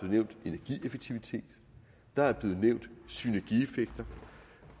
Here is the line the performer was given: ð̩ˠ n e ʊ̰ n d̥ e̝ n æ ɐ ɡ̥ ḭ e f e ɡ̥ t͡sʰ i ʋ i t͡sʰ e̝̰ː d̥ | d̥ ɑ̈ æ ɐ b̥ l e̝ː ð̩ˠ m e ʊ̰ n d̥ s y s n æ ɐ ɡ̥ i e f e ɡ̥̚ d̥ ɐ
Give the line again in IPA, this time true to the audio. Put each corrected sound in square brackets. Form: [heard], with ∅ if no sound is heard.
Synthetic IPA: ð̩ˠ n e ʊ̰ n d̥ e̝ n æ ɐ ɡ̥ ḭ e f e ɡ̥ t͡sʰ i ʋ i t͡sʰ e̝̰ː d̥ | d̥ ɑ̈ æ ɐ b̥ l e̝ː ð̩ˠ [n] e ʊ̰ n d̥ s y [∅] n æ ɐ ɡ̥ i e f e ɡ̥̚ d̥ ɐ

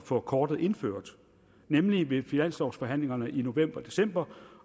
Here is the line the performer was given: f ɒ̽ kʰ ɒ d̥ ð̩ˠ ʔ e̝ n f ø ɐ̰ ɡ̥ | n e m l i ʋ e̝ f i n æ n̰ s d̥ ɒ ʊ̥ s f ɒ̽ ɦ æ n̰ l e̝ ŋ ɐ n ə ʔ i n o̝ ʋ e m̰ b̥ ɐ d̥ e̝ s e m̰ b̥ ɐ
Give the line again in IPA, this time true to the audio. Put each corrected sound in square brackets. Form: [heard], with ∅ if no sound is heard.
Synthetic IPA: f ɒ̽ kʰ [ɒː] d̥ ð̩ˠ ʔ e̝ n f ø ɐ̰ [d̥] | n e m l i ʋ e̝ f i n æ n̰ s d̥ ɒ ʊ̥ s f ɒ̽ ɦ æ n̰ l e̝ ŋ ɐ n ə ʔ i n o̝ ʋ e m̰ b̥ ɐ d̥ e̝ s e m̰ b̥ ɐ

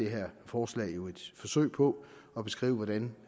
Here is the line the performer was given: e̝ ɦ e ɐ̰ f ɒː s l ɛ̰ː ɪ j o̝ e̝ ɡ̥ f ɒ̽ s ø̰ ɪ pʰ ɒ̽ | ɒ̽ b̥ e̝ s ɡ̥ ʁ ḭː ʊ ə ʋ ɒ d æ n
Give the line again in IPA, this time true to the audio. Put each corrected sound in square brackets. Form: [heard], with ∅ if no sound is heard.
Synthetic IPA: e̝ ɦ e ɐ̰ f ɒː s l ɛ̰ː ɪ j o̝ e̝ [d̥] f ɒ̽ s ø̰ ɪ pʰ ɒ̽ | ɒ̽ b̥ e̝ s ɡ̥ ʁ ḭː ʊ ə ʋ ɒ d æ n

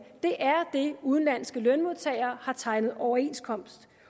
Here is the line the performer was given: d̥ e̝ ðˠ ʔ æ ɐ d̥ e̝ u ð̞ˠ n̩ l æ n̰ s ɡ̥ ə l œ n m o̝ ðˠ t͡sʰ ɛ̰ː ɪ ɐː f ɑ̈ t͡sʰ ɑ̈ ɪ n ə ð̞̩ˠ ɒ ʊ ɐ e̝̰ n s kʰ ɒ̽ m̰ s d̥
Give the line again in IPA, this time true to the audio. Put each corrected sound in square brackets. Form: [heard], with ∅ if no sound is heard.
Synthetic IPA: d̥ e̝ [∅] ʔ æ ɐ d̥ e̝ u ð̞ˠ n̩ l æ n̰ s ɡ̥ ə l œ n m o̝ ðˠ t͡sʰ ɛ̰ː ɪ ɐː [h] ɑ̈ t͡sʰ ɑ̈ ɪ n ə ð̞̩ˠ ɒ ʊ ɐ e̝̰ n s kʰ ɒ̽ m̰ s d̥

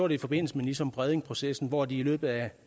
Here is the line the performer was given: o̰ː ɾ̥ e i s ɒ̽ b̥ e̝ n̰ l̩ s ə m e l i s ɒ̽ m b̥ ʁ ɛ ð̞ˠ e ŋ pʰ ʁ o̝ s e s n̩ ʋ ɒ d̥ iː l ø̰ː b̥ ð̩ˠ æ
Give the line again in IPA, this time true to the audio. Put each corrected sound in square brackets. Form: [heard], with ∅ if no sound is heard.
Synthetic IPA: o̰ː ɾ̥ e i [f] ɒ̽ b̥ e̝ n̰ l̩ s ə m e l i s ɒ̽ m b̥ ʁ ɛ ð̞ˠ e ŋ pʰ ʁ o̝ s e s n̩ ʋ ɒ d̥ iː l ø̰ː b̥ ð̩ˠ æ

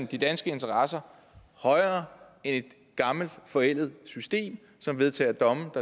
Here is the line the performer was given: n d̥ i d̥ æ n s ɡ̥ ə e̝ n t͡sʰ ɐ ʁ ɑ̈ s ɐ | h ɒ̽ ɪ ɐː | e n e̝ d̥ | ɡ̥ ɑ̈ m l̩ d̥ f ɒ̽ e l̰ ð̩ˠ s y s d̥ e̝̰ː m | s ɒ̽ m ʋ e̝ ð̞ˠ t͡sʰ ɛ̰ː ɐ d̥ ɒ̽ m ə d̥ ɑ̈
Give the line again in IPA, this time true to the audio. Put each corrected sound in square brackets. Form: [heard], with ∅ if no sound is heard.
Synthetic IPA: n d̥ i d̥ æ n s ɡ̥ ə e̝ n t͡sʰ ɐ ʁ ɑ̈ s ɐ | h ɒ̽ ɪ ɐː | e n e̝ d̥ | ɡ̥ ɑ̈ m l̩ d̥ f ɒ̽ e l̰ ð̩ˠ s y s d̥ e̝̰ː m | s ɒ̽ m ʋ e̝ ð̞ˠ t͡sʰ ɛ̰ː ɐ d̥ ɒ̽ m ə d̥ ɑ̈

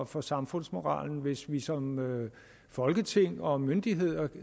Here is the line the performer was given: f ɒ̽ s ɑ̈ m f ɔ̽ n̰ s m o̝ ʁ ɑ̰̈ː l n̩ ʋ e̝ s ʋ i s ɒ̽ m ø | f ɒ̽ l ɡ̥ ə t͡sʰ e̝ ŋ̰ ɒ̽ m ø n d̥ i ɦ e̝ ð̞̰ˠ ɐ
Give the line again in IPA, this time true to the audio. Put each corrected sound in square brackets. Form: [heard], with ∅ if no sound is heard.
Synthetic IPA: f ɒ̽ s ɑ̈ m f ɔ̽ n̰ s m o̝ ʁ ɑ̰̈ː l n̩ ʋ e̝ s ʋ i s ɒ̽ m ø | f ɒ̽ l ɡ̥ ə t͡sʰ e̝ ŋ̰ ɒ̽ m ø n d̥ i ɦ e̝ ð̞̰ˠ ɐ

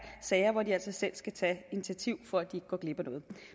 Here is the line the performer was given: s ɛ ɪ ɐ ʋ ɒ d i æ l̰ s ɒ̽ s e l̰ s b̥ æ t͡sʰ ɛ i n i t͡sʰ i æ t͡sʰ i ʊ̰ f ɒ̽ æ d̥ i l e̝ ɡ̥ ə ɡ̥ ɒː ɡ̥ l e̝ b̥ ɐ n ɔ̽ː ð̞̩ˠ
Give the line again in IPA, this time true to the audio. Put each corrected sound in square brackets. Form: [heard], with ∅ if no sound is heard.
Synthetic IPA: s ɛ ɪ ɐ ʋ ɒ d i æ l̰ s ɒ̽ s e l̰ s [ɡ̥] æ t͡sʰ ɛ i n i t͡sʰ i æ t͡sʰ i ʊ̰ f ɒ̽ æ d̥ i [∅] e̝ ɡ̥ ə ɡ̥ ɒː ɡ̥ l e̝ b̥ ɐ n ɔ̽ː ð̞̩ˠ

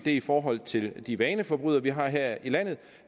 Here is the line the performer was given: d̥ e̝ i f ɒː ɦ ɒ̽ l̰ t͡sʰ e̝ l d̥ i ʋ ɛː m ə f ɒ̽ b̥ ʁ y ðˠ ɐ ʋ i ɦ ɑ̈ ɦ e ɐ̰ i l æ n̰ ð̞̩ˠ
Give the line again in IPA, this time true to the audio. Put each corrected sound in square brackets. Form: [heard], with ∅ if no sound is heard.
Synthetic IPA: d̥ e̝ i f ɒː ɦ ɒ̽ l̰ t͡sʰ e̝ l d̥ i ʋ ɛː [n] ə f ɒ̽ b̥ ʁ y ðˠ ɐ ʋ i ɦ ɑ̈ ɦ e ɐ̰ i l æ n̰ ð̞̩ˠ

